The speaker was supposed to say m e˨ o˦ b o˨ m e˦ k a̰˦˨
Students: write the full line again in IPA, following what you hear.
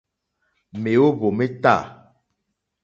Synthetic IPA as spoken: m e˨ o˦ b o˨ m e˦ t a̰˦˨

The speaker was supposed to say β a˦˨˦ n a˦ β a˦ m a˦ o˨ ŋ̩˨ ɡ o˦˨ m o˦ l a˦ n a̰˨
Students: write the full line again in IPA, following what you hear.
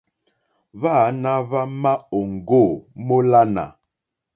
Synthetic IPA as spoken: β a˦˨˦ n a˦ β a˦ m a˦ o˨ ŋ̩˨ ɡ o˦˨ m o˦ l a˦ n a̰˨

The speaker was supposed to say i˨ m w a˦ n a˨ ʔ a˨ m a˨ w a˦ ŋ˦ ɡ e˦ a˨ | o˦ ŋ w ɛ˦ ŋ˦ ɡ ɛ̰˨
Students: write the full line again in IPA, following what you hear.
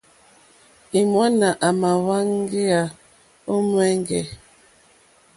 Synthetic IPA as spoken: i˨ m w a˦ n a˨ ʔ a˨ m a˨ w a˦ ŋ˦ ɡ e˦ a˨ | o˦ m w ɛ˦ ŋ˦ ɡ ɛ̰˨

